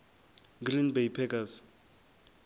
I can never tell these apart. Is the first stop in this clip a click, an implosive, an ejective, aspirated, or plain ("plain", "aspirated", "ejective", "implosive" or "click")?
plain